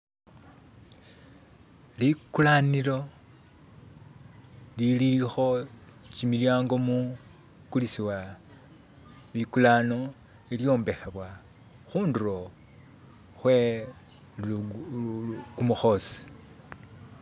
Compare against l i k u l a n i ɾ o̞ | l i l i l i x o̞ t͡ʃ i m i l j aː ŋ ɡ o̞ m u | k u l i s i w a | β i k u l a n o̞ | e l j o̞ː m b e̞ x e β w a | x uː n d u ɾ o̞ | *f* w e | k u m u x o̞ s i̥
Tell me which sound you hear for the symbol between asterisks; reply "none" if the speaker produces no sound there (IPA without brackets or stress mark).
x